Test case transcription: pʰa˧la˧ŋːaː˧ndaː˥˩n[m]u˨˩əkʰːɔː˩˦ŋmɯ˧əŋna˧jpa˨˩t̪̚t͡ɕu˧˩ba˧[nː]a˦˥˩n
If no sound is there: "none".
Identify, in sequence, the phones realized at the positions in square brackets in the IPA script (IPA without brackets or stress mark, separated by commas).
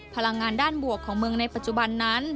b, nː